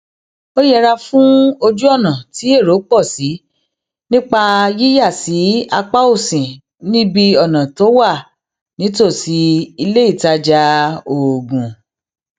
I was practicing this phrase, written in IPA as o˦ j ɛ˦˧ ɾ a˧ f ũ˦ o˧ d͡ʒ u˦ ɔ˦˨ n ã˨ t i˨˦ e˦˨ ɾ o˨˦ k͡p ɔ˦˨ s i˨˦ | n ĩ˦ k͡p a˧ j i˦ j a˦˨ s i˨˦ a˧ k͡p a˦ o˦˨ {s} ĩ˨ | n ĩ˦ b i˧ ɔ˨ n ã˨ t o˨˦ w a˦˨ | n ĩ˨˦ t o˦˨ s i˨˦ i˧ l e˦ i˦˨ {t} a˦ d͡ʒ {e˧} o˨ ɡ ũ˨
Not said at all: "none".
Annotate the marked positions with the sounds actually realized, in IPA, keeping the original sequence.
s, t, a˧

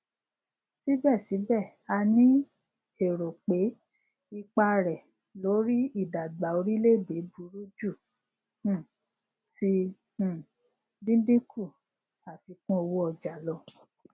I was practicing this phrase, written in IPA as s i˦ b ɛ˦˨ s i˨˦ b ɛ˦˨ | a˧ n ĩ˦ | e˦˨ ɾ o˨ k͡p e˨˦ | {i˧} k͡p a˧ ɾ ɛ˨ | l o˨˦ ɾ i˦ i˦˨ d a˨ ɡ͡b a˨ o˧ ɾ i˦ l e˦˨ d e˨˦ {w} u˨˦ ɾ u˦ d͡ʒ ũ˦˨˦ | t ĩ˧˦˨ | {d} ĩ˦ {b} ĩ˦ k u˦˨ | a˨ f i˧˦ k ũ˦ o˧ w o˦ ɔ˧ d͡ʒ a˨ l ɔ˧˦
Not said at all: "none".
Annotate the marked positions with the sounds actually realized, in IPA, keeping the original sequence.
i˧, b, d, d

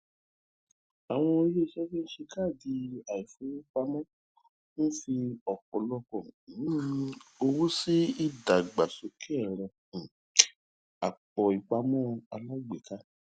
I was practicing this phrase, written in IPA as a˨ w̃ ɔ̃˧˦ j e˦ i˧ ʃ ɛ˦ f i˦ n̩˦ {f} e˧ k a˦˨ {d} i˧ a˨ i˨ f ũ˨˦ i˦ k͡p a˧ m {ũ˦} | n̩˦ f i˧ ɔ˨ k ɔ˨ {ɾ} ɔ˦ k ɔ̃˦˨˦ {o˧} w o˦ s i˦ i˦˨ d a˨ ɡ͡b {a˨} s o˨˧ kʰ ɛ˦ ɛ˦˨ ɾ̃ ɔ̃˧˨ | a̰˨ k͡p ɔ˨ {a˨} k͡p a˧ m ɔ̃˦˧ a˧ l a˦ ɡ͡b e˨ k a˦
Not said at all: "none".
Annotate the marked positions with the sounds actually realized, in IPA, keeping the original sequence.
ʃ, d, ɔ̃˦, l, o˧, a˨, i˨

